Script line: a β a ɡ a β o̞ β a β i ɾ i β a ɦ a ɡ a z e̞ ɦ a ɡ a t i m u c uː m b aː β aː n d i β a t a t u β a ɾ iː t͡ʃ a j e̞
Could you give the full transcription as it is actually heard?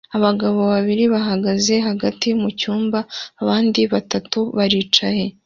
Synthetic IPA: a β a ɡ a β o̞ β a β i ɾ i β a ɦ a ɡ a z e̞ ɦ a ɡ a t i m u c uː m b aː β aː n d i β a t a t u β a ɾ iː t͡ʃ a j e̞